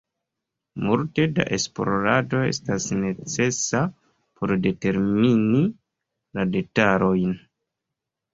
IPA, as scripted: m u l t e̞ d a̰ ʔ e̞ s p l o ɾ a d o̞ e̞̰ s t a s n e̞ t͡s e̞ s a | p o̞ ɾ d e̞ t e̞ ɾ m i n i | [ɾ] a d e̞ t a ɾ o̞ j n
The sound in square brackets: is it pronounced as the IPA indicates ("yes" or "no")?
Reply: no